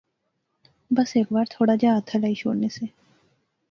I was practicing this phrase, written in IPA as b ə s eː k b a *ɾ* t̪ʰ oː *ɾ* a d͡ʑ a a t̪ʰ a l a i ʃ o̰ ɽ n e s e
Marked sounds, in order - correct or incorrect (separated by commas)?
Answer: correct, incorrect